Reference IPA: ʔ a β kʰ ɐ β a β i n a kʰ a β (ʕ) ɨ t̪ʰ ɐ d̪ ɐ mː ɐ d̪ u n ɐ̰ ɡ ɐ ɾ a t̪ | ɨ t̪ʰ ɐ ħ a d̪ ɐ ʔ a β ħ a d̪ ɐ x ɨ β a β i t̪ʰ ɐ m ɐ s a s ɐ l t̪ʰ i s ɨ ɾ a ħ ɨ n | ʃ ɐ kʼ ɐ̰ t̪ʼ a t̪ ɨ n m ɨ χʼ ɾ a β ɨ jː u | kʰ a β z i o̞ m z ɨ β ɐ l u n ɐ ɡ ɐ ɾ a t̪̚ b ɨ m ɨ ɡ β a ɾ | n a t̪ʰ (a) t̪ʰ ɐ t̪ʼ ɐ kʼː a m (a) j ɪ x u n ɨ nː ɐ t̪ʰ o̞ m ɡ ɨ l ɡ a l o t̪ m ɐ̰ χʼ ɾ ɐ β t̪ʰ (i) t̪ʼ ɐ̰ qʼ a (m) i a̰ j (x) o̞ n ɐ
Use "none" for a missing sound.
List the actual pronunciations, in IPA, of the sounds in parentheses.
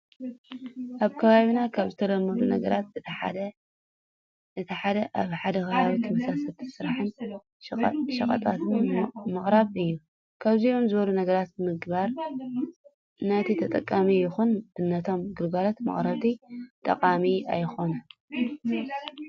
z, i, i, i, m, x

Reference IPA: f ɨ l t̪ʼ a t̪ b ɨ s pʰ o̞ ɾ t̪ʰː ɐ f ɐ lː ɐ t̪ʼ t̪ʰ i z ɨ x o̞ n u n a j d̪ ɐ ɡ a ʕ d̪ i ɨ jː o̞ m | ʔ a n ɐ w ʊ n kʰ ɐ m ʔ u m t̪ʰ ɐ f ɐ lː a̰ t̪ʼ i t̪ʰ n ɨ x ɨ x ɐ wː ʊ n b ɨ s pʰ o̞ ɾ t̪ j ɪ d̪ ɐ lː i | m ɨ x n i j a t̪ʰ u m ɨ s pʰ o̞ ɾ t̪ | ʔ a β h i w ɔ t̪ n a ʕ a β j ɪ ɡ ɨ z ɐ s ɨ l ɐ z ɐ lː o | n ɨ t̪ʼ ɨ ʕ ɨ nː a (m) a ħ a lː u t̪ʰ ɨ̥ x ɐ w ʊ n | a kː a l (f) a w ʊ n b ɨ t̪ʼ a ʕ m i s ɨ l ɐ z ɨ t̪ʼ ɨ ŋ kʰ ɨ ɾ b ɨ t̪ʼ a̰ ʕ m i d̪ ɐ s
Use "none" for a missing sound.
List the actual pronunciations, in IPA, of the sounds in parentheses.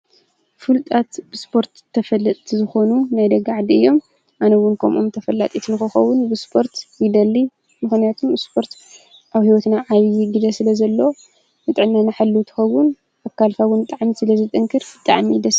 n, f

